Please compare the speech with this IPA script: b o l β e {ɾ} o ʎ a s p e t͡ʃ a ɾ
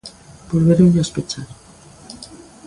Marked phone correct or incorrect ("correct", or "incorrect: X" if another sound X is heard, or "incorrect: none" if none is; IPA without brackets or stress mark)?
correct